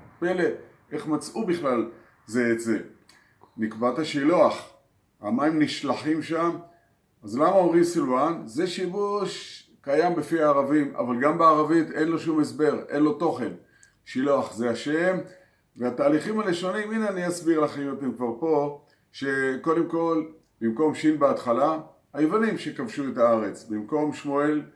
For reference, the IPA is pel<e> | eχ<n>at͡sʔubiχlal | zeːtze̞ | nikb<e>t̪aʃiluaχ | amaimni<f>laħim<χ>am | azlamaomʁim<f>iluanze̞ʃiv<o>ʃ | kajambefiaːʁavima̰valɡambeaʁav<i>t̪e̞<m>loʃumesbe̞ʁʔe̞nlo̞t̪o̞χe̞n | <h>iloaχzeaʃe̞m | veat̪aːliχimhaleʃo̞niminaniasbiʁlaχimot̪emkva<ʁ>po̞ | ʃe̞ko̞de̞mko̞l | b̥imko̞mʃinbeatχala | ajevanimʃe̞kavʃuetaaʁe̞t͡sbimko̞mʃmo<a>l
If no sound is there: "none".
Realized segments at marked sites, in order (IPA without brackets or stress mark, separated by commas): e, m, a, ʃ, ʃ, s, u, i, n, ʃ, ʁ, e